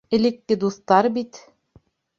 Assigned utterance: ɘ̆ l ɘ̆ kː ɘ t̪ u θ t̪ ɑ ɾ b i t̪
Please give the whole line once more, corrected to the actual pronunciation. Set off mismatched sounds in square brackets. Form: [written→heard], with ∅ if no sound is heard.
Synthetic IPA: ɘ̆ l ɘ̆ kː ɘ [t̪→d̪] u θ t̪ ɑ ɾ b i t̪